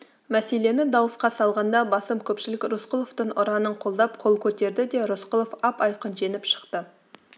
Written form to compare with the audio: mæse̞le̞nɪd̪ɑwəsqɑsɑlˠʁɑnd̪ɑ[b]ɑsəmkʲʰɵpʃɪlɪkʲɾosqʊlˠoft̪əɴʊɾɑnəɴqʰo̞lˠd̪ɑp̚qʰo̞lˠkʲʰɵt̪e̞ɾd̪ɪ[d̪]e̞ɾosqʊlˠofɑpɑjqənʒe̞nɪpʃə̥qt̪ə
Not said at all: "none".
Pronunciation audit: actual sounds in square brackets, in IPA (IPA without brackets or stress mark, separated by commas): b, d̪